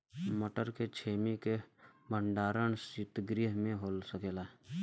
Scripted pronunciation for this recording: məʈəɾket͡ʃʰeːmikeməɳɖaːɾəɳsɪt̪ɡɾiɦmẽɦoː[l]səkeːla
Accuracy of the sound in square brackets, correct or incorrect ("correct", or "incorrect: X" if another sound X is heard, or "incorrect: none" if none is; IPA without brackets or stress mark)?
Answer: correct